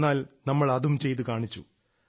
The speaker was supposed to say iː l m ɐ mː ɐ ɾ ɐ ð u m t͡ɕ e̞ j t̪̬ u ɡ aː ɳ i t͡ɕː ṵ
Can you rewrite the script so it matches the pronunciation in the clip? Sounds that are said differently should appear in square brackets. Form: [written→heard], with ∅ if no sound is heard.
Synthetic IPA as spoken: [iː→aː] l [m→n] ɐ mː ɐ [ɾ→ɭ] ɐ ð u m t͡ɕ e̞ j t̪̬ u [ɡ→k] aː ɳ i t͡ɕː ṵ